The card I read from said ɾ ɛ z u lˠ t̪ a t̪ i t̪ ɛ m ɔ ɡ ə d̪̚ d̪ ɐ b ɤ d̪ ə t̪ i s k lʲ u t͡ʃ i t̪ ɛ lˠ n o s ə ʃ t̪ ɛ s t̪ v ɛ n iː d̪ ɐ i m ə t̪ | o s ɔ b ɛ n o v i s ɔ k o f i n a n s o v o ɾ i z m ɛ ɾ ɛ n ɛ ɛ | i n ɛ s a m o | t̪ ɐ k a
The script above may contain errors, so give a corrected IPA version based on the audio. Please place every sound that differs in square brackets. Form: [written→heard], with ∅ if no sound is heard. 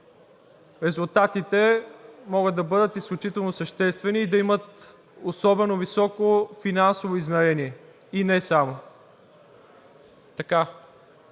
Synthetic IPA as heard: ɾ ɛ z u lˠ t̪ a t̪ i t̪ ɛ m ɔ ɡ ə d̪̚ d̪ ɐ b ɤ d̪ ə t̪ i s k lʲ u t͡ʃ i t̪ ɛ lˠ n o s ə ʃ t̪ ɛ s t̪ v ɛ n iː d̪ ɐ i m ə t̪ | o s ɔ b ɛ n o v i s ɔ k o f i n a n s o v o [ɾ→∅] i z m ɛ ɾ ɛ n [ɛ→i] ɛ | i n ɛ s a m o | t̪ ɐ k a